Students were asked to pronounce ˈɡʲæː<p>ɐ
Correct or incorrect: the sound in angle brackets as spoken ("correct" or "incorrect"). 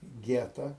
incorrect